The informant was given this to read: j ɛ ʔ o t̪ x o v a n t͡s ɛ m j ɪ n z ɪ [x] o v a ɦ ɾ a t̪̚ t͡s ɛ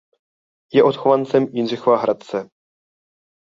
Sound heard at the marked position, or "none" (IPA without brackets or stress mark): x